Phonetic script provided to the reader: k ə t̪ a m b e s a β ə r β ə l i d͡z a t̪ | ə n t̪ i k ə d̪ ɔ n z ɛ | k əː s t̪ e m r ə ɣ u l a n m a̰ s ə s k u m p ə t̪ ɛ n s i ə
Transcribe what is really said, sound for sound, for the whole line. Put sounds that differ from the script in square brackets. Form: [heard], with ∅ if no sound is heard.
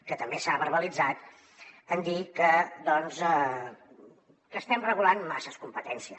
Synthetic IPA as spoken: k ə t̪ [ə] m b e s a β ə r β ə l i d͡z a t̪ | ə n [d̪] i k ə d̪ ɔ n z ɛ | k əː s t̪ [ɛ] m r ə ɣ u l a n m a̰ s ə s k u m p ə t̪ ɛ n s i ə